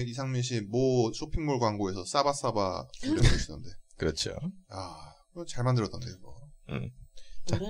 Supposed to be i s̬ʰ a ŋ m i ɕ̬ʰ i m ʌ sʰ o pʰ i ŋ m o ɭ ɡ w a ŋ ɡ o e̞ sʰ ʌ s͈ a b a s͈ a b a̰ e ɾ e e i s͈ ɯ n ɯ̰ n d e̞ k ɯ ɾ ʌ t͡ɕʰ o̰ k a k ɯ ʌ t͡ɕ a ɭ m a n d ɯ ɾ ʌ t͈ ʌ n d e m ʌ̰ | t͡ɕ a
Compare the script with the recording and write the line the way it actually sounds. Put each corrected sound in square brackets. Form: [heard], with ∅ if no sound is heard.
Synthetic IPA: i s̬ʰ a ŋ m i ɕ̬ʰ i m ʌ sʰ o pʰ i ŋ m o ɭ ɡ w a ŋ ɡ o e̞ sʰ ʌ s͈ a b a s͈ a b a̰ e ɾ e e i s͈ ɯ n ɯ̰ n d e̞ k ɯ ɾ ʌ t͡ɕʰ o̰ [∅] a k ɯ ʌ t͡ɕ a ɭ m a n d ɯ ɾ ʌ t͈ ʌ n d e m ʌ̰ | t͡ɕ a